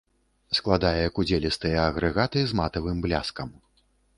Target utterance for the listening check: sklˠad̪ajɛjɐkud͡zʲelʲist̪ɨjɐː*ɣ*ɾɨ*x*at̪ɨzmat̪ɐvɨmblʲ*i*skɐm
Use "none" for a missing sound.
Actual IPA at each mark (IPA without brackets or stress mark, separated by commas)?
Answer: ɣ, ɣ, a